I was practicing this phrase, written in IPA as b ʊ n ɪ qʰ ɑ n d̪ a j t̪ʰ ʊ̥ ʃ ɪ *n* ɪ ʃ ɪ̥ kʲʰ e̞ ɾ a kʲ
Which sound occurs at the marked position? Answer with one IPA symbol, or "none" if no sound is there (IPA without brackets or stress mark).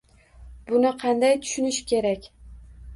n